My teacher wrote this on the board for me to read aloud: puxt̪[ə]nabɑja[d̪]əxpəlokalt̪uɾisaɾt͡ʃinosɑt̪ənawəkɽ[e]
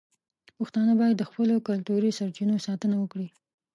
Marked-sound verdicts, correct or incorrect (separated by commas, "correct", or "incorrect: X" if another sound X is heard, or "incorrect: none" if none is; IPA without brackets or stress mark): incorrect: ɑ, incorrect: d̪ː, incorrect: i